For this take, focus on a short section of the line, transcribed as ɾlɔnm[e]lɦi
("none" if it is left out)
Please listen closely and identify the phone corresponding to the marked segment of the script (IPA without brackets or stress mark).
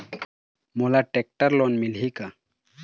i